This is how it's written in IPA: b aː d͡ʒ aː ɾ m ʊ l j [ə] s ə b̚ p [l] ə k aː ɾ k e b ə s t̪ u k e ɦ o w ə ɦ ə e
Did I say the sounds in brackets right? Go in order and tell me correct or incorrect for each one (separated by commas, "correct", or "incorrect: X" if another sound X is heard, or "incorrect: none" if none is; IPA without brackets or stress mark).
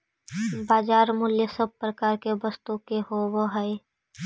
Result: correct, incorrect: ɾ